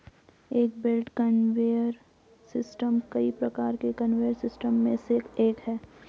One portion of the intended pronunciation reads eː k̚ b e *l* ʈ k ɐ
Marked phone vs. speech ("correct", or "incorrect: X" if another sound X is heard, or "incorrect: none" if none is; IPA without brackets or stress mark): correct